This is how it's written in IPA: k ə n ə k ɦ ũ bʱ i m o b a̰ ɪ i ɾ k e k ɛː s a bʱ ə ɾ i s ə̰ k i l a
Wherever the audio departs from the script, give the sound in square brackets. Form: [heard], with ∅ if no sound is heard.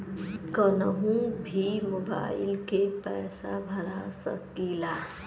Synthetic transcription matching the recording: k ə n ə [∅] ɦ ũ bʱ i m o b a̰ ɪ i [l] k e [p] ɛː s a bʱ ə ɾ [a] s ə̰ k i l a